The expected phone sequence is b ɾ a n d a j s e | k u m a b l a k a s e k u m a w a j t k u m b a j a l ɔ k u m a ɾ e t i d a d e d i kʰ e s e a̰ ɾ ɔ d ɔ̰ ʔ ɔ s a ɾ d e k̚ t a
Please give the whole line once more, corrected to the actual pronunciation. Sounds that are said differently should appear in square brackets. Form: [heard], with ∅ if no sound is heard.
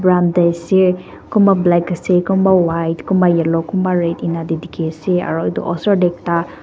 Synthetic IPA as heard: b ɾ a n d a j s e | k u m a b l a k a s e k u m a w a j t k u m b a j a l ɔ k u m a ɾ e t i [n] a d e d i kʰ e s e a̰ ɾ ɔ d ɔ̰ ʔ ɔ s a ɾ d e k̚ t a